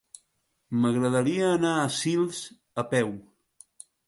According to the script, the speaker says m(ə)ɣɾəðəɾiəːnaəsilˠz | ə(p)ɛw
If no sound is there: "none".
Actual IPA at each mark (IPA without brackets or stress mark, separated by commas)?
ə, p